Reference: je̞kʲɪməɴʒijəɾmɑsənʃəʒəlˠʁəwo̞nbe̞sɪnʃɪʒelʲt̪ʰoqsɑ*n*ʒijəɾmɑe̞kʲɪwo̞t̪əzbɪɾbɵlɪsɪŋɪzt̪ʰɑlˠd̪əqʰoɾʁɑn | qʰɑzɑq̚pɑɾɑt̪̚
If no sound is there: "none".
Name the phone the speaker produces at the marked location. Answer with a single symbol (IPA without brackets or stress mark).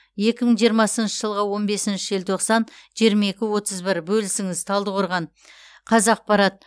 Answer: n